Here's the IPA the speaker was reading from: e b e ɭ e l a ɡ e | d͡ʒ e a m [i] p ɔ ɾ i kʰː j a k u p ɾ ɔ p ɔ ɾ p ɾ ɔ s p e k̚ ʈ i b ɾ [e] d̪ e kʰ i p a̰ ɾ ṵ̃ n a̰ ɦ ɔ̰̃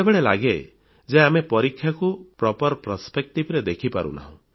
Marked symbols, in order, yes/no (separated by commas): no, yes